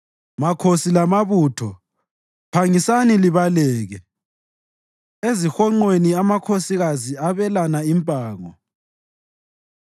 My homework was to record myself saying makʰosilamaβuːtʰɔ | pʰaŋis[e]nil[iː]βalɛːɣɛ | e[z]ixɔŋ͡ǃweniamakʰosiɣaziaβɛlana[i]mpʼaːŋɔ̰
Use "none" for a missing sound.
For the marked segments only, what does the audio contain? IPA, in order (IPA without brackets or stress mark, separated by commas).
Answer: a, i, z, i